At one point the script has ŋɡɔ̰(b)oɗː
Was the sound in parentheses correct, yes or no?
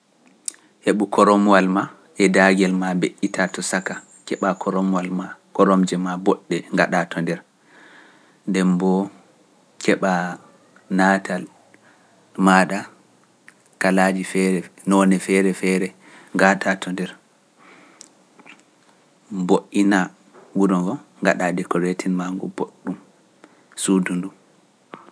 yes